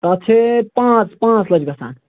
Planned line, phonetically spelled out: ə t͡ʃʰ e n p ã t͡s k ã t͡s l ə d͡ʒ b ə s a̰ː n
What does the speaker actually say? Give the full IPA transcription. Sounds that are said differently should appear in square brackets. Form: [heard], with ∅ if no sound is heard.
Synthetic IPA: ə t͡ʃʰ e [∅] p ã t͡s [p] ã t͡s l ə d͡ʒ [ɡ] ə s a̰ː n